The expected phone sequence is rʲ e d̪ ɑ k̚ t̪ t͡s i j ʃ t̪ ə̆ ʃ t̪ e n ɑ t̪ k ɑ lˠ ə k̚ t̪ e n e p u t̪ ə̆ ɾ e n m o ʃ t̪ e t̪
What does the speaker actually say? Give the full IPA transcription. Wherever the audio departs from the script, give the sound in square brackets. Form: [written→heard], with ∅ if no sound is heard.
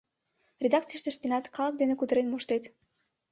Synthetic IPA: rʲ e d̪ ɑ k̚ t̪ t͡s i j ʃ t̪ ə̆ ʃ t̪ e n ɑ t̪ k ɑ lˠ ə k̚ [t̪→d̪] e n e [p→k] u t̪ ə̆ ɾ e n m o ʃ t̪ e t̪